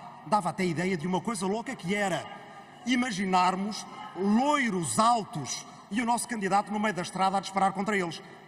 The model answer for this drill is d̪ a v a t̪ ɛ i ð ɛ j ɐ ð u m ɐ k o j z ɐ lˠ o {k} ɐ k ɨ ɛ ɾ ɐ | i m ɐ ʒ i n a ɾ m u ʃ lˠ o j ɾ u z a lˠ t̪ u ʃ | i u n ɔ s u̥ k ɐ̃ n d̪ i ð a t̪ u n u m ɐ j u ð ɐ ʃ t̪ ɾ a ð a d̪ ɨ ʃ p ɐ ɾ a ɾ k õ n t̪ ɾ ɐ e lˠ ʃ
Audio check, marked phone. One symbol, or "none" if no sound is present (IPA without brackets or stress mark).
k